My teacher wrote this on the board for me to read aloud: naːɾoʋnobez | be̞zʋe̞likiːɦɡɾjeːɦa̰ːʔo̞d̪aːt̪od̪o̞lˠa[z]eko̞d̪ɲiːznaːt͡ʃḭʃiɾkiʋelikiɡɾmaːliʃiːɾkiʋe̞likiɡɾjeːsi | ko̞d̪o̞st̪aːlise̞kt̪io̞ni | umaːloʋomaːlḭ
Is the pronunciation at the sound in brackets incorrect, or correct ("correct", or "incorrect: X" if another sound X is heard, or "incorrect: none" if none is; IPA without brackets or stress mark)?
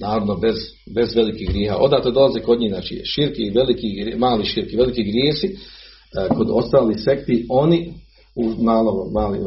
correct